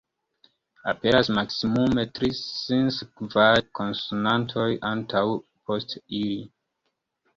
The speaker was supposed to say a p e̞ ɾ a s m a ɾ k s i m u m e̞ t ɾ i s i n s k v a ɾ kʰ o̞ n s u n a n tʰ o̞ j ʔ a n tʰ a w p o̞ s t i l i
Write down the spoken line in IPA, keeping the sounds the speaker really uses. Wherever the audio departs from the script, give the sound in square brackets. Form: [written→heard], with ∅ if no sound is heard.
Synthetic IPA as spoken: a p e̞ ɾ a s m a [ɾ→∅] k s i m u m e̞ t ɾ i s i n s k v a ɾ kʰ o̞ n s u n a n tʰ o̞ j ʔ a n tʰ a w p o̞ s t i l i